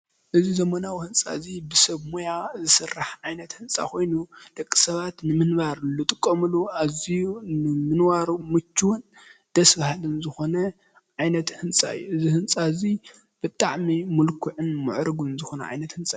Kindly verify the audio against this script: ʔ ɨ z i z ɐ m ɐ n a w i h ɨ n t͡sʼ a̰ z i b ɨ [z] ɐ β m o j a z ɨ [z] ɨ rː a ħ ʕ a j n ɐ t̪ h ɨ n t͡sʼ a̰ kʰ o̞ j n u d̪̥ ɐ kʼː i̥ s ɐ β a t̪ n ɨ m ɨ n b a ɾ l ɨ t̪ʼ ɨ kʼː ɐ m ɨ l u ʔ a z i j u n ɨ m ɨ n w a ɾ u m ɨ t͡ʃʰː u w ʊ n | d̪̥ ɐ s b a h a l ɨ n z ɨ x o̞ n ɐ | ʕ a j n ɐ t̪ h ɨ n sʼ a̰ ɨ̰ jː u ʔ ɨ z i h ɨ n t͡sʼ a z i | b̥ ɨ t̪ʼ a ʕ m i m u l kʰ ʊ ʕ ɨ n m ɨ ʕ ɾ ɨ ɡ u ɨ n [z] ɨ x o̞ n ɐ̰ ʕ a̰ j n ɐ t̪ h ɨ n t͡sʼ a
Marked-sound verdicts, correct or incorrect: incorrect, incorrect, correct

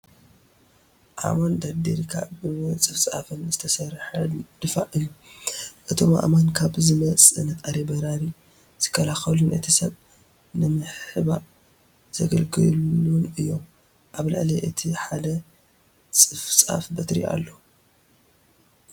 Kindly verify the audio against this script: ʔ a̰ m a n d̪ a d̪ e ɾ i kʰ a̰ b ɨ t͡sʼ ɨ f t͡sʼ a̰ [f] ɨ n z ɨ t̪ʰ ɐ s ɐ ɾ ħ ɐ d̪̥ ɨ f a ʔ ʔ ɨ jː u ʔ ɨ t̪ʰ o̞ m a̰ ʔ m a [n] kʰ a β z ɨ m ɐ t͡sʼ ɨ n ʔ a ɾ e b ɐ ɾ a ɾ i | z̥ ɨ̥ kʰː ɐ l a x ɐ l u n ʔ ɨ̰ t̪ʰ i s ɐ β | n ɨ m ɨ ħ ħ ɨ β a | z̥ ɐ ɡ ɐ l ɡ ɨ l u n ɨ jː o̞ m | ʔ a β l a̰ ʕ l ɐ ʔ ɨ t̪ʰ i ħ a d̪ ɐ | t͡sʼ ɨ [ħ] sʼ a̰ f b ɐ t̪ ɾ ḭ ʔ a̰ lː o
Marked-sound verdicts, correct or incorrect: correct, correct, incorrect

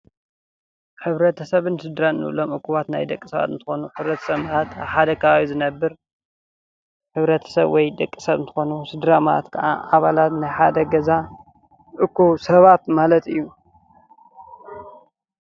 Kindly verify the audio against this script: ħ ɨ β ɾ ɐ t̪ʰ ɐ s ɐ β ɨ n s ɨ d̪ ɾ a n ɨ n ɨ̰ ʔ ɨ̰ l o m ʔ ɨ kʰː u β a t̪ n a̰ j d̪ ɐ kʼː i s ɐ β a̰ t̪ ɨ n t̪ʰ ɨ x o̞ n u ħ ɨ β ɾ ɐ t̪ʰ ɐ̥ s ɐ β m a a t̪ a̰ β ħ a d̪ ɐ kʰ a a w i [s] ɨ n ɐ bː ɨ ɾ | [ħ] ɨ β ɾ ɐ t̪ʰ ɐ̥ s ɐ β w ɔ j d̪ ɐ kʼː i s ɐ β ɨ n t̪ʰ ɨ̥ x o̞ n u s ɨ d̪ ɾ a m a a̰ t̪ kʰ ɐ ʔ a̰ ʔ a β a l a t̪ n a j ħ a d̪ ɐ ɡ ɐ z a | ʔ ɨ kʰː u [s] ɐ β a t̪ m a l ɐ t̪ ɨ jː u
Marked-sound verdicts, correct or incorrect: incorrect, correct, correct

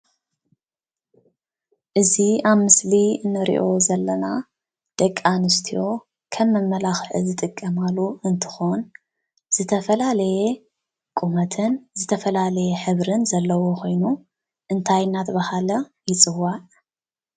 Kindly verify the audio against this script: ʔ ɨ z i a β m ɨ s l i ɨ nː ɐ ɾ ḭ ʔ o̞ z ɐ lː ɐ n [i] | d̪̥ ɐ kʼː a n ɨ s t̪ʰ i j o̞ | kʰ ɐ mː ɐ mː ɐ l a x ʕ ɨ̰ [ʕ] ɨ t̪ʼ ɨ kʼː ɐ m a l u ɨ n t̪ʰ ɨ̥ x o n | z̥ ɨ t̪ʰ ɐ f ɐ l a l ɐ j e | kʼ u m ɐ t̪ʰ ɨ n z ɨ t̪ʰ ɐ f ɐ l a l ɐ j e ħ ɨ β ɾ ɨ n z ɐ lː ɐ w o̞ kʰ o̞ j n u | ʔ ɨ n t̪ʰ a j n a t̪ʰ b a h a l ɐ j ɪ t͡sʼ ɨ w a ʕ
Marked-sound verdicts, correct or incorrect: incorrect, incorrect

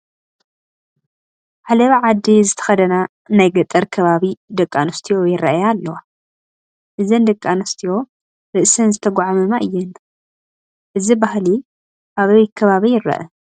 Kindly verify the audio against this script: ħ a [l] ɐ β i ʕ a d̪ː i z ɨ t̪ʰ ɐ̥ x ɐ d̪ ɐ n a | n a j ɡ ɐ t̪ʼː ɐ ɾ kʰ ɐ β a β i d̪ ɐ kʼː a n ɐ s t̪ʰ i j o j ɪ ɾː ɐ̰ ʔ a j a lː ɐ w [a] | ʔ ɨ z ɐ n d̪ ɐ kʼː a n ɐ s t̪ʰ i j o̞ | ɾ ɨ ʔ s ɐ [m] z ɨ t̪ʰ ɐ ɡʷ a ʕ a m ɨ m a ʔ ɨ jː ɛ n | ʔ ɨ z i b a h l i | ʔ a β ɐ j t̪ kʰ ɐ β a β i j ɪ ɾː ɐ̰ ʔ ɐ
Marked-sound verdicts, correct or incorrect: correct, correct, incorrect

